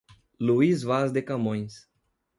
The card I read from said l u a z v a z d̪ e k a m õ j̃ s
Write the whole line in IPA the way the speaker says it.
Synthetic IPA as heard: l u i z v a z d̪ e k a m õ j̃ s